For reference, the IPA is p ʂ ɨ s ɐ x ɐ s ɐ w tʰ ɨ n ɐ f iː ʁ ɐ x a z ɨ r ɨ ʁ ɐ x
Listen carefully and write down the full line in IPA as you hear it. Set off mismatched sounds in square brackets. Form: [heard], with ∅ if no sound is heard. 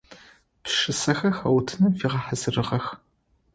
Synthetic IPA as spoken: p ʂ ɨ s ɐ x ɐ [x] ɐ w tʰ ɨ n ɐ f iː ʁ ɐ [ħ] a z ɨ r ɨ ʁ ɐ x